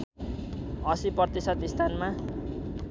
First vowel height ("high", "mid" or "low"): mid